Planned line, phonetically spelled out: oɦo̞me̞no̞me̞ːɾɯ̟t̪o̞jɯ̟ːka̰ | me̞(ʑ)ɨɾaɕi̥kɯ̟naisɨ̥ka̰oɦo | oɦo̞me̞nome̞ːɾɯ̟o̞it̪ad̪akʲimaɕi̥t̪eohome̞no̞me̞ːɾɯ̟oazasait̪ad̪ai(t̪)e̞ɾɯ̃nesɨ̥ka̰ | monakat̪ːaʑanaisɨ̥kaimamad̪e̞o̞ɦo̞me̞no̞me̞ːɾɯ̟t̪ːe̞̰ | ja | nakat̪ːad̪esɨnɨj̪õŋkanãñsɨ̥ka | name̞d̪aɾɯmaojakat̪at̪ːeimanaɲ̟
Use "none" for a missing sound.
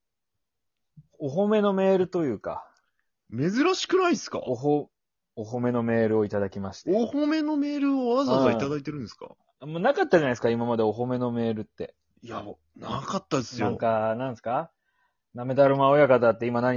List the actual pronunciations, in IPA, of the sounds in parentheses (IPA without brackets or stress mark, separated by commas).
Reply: z, t̪